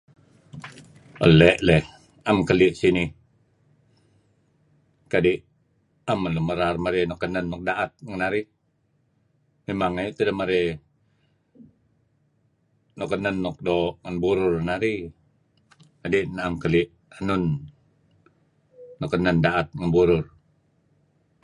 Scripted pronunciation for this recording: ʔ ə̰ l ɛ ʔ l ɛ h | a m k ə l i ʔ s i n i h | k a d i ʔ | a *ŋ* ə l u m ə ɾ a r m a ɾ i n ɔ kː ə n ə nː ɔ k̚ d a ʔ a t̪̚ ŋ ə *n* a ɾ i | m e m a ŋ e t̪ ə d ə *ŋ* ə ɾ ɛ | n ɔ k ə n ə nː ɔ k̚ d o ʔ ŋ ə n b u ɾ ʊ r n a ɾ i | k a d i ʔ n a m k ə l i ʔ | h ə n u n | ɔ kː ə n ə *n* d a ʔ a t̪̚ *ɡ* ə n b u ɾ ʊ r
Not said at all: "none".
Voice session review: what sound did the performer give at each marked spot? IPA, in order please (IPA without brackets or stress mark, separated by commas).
m, n, m, n, ŋ